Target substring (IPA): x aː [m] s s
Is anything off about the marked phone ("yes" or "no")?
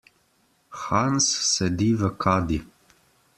yes